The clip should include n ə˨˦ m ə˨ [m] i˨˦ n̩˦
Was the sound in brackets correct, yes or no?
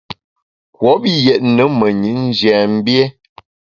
no